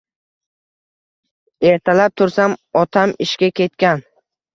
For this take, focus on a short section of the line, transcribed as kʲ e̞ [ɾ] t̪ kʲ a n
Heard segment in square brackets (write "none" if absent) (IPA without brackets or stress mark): none